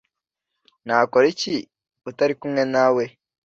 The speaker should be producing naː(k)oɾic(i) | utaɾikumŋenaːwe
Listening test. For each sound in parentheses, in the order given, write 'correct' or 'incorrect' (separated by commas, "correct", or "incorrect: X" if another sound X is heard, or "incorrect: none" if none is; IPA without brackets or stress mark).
correct, correct